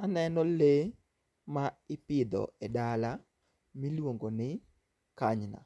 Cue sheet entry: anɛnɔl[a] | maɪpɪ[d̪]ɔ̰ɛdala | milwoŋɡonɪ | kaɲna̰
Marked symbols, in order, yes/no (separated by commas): no, yes